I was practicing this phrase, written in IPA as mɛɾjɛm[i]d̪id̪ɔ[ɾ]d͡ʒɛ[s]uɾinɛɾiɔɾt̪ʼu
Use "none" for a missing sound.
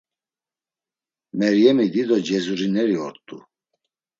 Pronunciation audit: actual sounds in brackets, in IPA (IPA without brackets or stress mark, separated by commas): i, none, z